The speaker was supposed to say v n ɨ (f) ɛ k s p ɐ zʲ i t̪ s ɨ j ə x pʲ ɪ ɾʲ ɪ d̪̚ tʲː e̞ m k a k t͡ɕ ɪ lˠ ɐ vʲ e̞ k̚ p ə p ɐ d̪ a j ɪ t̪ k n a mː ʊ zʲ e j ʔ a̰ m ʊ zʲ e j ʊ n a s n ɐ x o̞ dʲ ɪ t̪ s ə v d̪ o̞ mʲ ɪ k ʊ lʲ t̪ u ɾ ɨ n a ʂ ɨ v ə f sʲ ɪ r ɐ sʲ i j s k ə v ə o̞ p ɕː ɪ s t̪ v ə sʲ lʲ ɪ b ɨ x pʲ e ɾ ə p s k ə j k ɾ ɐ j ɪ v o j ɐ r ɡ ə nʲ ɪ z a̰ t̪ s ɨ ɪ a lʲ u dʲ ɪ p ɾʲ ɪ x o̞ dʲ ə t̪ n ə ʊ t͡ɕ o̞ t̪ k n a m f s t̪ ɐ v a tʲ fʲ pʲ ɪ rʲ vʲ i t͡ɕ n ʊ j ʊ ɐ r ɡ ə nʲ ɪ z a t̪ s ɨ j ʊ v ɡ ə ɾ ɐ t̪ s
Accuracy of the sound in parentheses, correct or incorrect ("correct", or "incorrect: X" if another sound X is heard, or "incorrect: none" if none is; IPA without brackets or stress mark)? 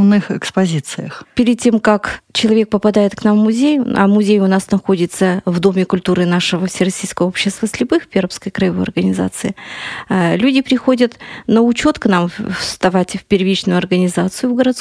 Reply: incorrect: x